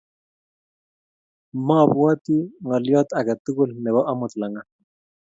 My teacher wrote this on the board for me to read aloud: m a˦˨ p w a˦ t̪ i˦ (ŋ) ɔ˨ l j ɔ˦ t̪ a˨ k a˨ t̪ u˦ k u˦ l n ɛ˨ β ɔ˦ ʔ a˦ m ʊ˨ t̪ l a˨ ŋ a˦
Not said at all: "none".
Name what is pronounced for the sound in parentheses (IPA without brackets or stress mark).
ŋ